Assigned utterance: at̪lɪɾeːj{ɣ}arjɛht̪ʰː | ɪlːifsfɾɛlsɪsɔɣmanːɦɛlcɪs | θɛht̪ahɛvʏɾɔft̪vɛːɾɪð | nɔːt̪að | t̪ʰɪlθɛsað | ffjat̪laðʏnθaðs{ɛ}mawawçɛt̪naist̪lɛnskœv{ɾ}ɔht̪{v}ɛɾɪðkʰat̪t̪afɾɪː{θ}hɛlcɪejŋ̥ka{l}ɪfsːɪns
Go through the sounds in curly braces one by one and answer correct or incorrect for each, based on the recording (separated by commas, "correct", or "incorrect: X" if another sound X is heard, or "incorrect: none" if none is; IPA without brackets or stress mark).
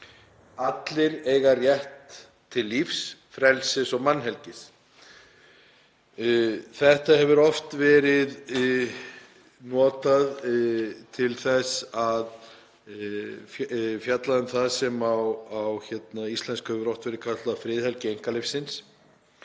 correct, correct, correct, correct, incorrect: ð, correct